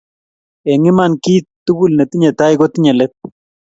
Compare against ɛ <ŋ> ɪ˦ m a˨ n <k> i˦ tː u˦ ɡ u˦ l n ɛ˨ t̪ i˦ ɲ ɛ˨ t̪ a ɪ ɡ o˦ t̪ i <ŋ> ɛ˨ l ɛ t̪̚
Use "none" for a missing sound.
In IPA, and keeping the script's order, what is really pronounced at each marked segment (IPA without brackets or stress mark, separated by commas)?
ŋ, k, ɲ